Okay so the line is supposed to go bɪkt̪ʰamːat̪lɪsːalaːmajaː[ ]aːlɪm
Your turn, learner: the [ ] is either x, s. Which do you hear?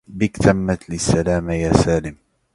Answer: s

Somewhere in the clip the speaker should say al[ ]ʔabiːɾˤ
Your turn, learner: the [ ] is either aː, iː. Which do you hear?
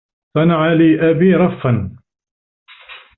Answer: iː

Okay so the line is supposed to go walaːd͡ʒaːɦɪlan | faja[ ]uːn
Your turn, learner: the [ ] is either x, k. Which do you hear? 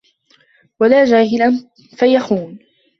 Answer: x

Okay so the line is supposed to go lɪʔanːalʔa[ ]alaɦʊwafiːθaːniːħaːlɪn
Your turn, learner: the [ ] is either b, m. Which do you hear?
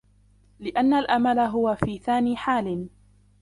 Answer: m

